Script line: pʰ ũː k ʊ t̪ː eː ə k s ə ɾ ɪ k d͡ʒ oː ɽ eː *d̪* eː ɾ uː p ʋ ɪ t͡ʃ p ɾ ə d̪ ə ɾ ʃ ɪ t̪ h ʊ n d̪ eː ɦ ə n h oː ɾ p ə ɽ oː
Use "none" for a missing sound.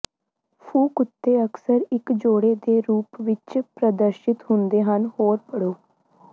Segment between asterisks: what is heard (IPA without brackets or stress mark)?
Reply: d̪